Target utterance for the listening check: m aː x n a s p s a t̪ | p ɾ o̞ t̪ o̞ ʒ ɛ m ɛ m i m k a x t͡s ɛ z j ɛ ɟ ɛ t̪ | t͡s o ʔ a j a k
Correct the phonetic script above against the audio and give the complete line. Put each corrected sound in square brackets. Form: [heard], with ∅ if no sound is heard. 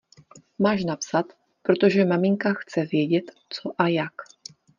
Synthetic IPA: m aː [ʃ] n a [∅] p s a t̪ | p ɾ o̞ t̪ o̞ ʒ ɛ m [a] m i [ŋ] k a x t͡s ɛ [v] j ɛ ɟ ɛ t̪ | t͡s o ʔ a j a k